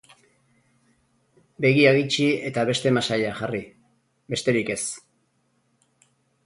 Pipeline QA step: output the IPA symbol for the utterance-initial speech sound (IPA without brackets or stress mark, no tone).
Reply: b